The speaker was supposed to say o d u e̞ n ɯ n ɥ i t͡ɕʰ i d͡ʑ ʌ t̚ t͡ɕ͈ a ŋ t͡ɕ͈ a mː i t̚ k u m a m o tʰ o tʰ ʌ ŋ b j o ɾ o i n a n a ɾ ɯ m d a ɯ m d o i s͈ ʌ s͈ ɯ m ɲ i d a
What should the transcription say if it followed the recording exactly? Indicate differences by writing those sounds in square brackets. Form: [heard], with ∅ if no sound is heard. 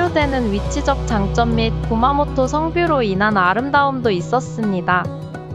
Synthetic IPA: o d [w] e̞ n ɯ n ɥ i t͡ɕʰ i d͡ʑ ʌ [k̚] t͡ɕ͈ a ŋ t͡ɕ͈ [ʌ] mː i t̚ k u m a m o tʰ o [sʰ] ʌ ŋ b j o ɾ o i n a n a ɾ ɯ m d a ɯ m d o i s͈ ʌ s͈ ɯ m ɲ i d a